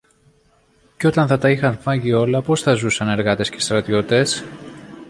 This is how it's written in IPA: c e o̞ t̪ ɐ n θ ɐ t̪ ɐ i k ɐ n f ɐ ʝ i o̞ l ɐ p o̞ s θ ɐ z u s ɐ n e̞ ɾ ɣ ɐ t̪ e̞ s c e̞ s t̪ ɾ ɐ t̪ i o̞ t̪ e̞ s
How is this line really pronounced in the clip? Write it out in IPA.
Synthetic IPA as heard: c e o̞ t̪ ɐ n θ ɐ t̪ ɐ i x ɐ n f ɐ ʝ i o̞ l ɐ p o̞ s θ ɐ z u s ɐ n e̞ ɾ ɣ ɐ t̪ e̞ s c e̞ s t̪ ɾ ɐ t̪ i o̞ t̪ e̞ s